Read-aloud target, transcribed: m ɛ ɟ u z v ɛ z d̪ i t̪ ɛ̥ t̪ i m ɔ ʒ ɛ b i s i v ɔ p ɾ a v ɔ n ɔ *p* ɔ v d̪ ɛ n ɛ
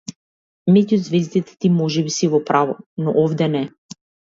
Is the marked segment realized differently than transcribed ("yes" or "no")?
yes